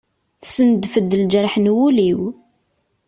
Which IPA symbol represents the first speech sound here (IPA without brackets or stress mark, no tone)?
θ